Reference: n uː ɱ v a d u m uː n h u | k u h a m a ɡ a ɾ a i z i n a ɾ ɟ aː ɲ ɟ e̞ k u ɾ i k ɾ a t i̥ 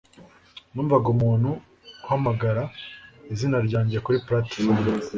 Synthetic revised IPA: n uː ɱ v a ɡ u m uː n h u | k u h a m a ɡ a ɾ a i z i n a ɾ ɟ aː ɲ ɟ e̞ k u ɾ i p ɾ a t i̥